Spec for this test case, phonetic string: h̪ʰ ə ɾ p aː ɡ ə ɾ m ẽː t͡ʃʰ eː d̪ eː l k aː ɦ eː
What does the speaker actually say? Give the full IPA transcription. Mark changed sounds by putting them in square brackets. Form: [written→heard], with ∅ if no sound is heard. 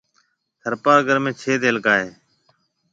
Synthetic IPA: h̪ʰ ə ɾ p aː ɡ ə ɾ m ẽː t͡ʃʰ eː d̪ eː l k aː ɦ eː